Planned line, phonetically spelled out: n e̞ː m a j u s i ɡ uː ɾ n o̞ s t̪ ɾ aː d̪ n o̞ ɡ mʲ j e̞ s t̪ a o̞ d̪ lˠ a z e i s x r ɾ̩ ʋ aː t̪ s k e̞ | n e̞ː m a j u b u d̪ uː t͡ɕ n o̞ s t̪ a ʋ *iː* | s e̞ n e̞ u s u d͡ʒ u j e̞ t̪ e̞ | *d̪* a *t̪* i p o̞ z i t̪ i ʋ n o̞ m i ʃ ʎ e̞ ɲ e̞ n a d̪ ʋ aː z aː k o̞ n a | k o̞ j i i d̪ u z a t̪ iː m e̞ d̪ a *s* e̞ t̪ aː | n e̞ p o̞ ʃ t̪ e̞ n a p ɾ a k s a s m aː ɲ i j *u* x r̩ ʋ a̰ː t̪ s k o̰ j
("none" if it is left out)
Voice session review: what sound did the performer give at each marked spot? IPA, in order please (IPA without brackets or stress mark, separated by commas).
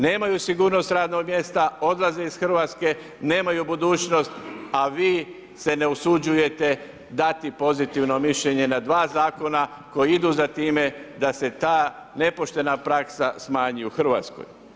iː, d̪, t̪, s, u